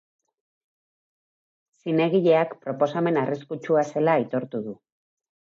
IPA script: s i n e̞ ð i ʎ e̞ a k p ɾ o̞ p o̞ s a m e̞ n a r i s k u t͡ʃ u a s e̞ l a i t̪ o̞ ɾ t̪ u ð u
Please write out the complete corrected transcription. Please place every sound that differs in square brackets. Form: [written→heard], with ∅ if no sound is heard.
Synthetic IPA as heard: s i n e̞ [ð→ɣ] i ʎ e̞ a k p ɾ o̞ p o̞ s a m e̞ n a r i s k u t͡ʃ u a s e̞ l a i t̪ o̞ ɾ t̪ u ð u